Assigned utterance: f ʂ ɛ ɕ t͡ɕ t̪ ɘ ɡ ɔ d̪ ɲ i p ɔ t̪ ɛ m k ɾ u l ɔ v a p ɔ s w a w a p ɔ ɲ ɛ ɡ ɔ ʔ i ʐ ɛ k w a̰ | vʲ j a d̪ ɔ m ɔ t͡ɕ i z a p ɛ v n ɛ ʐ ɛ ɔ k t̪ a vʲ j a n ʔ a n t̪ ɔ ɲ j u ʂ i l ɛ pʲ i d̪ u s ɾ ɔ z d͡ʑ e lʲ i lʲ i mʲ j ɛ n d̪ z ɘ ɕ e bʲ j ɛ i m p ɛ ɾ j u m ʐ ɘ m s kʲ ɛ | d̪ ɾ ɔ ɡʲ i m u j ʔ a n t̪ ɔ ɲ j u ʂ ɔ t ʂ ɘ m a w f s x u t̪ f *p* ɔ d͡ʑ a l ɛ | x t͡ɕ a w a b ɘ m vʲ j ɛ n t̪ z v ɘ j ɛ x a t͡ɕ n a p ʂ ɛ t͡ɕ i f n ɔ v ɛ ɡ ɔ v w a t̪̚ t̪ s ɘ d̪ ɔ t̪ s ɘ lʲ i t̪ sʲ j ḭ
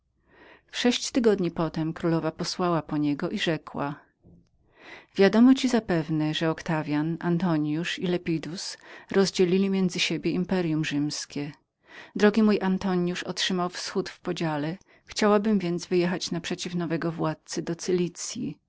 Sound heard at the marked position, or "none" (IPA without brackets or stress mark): p